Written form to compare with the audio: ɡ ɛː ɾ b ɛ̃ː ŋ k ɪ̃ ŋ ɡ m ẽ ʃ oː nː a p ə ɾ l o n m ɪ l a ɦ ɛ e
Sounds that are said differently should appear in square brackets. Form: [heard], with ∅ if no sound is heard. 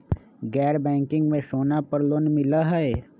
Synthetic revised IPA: ɡ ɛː ɾ b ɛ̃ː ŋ k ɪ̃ ŋ ɡ m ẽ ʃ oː [n] a p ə ɾ l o n m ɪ l a ɦ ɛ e